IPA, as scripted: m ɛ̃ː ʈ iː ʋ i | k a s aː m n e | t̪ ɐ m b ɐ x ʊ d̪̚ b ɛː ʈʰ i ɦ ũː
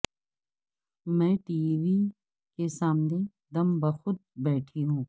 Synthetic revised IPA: m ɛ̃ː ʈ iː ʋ i | k e s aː m n e | d̪ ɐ m b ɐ x ʊ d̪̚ b ɛː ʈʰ i ɦ ũː